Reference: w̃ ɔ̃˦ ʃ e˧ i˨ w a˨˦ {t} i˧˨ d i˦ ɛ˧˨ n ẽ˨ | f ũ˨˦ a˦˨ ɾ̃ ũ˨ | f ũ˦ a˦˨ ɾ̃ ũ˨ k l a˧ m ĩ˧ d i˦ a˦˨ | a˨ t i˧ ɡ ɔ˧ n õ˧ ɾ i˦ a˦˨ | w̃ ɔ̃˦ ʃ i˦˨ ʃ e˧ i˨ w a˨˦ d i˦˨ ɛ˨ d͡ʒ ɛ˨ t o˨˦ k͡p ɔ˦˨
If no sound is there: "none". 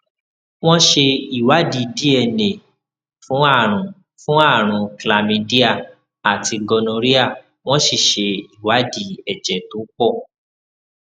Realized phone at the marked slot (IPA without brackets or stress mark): d